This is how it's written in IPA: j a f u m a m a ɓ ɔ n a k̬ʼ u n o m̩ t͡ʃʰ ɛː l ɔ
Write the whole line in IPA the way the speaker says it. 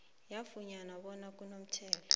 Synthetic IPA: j a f u ɲ a n a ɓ ɔ n a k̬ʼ u n o m̩ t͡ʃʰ ɛː l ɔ